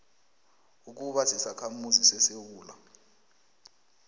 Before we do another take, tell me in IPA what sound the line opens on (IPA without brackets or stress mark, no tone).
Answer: u